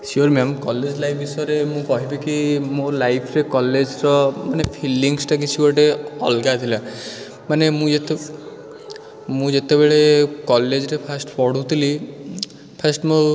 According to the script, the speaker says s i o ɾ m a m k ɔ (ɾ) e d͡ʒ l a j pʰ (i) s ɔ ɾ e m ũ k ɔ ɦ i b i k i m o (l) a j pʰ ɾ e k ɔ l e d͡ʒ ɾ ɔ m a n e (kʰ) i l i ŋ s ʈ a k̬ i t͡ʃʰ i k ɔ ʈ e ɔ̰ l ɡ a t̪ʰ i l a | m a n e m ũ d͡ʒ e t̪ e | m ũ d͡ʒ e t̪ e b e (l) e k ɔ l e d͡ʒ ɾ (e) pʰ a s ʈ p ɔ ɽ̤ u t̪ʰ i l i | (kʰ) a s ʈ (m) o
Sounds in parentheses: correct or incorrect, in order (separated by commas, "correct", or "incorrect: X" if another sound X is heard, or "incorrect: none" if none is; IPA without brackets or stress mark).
incorrect: l, correct, correct, incorrect: pʰ, incorrect: ɭ, correct, incorrect: pʰ, correct